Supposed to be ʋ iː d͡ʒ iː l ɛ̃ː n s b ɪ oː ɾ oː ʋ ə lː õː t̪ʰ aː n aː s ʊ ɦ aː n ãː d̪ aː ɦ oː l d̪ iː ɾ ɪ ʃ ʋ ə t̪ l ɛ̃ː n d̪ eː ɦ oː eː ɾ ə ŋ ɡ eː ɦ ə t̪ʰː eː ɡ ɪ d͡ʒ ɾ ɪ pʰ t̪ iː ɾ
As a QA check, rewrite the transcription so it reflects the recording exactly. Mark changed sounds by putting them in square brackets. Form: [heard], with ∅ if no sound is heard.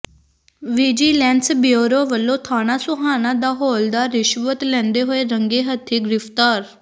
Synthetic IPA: ʋ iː d͡ʒ iː l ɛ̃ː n s b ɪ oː ɾ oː ʋ ə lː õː t̪ʰ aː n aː s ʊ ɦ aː n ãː d̪ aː ɦ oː l d̪ [aː] ɾ ɪ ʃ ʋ ə t̪ l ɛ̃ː n d̪ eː ɦ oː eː ɾ ə ŋ ɡ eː ɦ ə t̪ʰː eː ɡ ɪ [∅] ɾ ɪ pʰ t̪ [aː] ɾ

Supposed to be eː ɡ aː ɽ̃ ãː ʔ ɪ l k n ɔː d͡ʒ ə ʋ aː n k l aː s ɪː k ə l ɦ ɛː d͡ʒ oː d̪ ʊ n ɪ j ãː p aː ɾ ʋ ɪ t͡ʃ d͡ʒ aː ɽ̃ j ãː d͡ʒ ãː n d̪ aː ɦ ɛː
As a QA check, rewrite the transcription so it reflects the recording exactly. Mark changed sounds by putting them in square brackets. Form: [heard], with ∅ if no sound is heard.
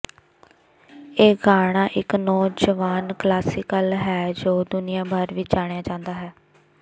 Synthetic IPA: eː ɡ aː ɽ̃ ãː ʔ ɪ [∅] k n ɔː d͡ʒ ə ʋ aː n k l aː s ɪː k ə l ɦ ɛː d͡ʒ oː d̪ ʊ n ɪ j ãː [b] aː ɾ ʋ ɪ t͡ʃ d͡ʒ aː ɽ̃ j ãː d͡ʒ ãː n d̪ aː ɦ ɛː

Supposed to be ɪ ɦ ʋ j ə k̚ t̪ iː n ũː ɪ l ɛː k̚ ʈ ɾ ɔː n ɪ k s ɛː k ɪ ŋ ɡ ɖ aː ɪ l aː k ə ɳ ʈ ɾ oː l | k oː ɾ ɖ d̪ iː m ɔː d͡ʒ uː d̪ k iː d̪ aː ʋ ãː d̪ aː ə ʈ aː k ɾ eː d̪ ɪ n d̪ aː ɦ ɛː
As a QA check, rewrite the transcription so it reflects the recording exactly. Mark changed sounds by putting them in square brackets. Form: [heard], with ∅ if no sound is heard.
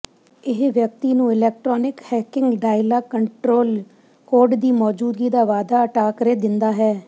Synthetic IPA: ɪ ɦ ʋ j ə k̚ t̪ iː n ũː ɪ l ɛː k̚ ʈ ɾ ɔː n ɪ k [h] ɛː k ɪ ŋ ɡ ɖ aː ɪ l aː k ə ɳ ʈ ɾ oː l | k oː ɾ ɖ d̪ iː m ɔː d͡ʒ uː d̪ [ɡ] iː d̪ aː ʋ [aː] d̪ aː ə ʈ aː k ɾ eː d̪ ɪ n d̪ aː ɦ ɛː

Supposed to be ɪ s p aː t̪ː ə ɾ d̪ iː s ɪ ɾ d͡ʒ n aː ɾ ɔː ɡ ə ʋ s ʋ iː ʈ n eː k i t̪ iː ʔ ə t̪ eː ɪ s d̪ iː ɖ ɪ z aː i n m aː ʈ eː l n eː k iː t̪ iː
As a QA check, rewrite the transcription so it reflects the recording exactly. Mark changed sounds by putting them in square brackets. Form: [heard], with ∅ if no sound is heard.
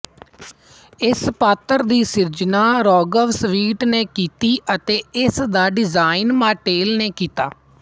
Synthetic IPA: ɪ s p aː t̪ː ə ɾ d̪ iː s ɪ ɾ d͡ʒ n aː ɾ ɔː ɡ ə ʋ s ʋ iː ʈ n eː k [iː] t̪ iː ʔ ə t̪ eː ɪ s d̪ [aː] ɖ ɪ z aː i n m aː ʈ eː l n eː k iː t̪ [aː]

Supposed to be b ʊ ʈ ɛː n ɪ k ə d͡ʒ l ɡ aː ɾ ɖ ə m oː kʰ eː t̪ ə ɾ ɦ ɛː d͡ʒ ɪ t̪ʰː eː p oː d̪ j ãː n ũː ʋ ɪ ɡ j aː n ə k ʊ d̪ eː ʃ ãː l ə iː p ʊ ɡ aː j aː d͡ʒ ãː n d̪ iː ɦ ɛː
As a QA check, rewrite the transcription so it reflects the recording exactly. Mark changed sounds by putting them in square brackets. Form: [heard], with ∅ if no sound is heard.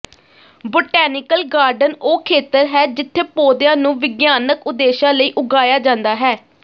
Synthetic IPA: b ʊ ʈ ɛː n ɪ k ə [∅] l ɡ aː ɾ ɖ ə [n] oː kʰ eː t̪ ə ɾ ɦ ɛː d͡ʒ ɪ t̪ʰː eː p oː d̪ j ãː n ũː ʋ ɪ ɡ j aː n ə k ʊ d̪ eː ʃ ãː l ə iː [ʔ] ʊ ɡ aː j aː d͡ʒ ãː n d̪ [aː] ɦ ɛː

